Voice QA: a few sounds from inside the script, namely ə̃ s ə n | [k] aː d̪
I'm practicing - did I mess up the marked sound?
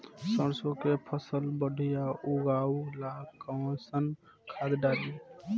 yes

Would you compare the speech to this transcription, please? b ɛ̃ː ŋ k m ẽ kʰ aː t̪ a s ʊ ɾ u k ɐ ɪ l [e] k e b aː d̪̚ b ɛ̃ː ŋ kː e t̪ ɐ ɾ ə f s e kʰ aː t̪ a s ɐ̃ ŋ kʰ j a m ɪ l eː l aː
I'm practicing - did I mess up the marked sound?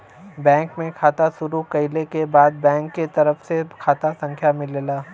no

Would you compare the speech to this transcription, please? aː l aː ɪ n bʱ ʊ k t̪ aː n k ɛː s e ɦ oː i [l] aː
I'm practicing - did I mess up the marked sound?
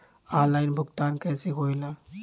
no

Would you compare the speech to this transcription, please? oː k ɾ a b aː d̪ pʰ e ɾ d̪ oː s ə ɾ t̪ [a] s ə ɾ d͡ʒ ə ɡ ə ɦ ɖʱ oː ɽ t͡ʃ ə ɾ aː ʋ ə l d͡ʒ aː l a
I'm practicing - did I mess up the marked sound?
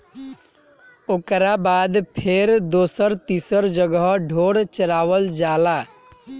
yes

